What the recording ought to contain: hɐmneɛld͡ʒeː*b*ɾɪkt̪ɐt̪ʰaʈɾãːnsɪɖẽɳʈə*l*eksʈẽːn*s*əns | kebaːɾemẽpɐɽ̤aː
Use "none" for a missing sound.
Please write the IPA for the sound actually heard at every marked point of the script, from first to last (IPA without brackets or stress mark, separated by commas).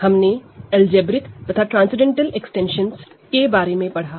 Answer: b, l, ʃ